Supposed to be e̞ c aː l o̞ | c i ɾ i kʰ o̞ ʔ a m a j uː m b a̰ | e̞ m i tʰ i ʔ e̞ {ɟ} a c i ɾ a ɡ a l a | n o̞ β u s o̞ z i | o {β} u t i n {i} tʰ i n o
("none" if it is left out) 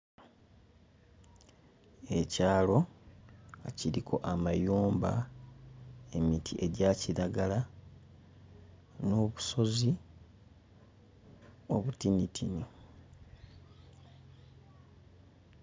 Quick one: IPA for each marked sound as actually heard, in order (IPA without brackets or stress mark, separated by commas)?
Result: ɟ, β, i